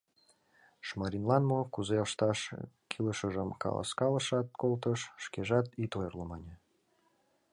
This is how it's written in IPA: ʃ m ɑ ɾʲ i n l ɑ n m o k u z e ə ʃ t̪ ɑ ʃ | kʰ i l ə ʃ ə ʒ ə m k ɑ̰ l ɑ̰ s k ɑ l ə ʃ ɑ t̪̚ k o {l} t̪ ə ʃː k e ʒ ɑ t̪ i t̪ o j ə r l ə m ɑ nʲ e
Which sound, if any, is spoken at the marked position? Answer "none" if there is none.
l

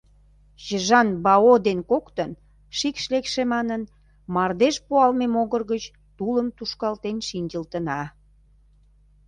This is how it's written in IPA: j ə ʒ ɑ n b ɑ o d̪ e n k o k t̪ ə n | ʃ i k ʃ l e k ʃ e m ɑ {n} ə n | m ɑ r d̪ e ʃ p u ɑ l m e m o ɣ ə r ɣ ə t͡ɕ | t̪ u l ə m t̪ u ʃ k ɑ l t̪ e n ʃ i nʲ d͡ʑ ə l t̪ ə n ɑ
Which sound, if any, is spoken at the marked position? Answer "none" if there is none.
n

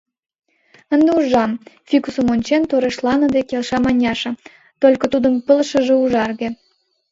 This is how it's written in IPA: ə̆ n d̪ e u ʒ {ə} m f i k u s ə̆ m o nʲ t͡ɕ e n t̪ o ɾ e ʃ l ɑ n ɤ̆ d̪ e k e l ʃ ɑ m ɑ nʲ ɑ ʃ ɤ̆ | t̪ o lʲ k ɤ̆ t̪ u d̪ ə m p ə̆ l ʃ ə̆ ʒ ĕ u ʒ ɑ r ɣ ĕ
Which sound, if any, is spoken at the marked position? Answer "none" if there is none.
ɑ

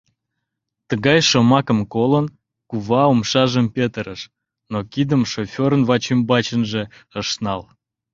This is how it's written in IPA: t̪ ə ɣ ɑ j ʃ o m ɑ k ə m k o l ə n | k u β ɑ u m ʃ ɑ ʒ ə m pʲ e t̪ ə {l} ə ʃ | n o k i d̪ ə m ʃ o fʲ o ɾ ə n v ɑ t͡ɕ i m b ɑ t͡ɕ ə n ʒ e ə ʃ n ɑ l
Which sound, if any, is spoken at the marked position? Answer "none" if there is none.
ɾ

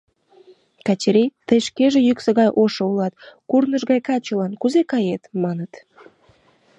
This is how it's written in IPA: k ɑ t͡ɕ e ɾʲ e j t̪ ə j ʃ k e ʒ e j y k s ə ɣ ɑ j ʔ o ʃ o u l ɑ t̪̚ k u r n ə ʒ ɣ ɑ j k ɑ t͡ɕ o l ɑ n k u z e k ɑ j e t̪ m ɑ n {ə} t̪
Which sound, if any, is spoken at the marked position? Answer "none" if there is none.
ə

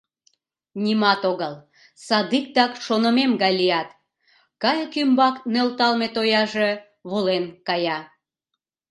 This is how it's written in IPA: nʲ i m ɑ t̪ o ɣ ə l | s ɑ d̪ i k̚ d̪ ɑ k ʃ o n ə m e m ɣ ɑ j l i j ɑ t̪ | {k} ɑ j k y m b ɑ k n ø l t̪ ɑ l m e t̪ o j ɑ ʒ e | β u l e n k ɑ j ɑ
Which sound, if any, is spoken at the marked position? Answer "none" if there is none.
k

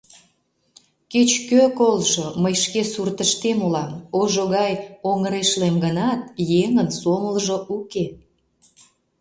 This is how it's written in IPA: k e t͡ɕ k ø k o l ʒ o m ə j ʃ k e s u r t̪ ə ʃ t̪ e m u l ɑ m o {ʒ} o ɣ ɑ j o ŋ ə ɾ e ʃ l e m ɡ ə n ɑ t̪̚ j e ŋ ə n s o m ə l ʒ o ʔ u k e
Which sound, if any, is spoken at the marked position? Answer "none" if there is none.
ʒ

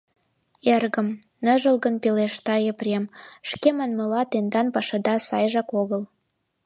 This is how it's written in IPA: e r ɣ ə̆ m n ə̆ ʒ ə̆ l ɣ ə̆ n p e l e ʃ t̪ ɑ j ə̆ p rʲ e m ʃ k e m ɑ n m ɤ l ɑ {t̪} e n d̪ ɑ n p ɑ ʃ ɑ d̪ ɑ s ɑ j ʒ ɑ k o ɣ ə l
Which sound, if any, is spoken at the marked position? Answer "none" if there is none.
t̪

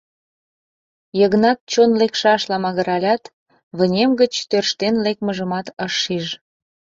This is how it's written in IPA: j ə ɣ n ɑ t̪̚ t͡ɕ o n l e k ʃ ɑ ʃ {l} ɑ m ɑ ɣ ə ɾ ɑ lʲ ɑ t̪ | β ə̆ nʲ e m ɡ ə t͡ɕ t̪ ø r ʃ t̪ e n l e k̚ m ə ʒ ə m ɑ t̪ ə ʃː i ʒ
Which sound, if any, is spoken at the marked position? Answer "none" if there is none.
l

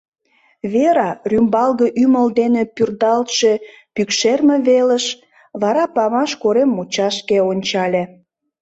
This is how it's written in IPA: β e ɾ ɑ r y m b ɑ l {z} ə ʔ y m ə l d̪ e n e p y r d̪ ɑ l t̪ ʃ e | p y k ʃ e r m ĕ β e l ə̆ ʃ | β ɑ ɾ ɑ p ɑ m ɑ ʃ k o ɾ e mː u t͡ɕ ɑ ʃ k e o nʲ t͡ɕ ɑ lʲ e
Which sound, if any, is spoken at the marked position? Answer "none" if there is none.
ɣ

